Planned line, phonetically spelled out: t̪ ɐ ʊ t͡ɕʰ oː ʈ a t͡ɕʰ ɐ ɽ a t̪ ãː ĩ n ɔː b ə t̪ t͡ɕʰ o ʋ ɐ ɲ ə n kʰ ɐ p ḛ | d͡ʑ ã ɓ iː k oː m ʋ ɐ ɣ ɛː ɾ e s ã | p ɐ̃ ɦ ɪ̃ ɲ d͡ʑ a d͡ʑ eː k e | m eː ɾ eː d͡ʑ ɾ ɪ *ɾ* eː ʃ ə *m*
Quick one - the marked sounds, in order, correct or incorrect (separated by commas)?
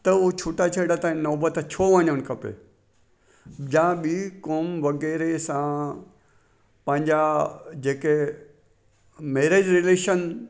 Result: incorrect, incorrect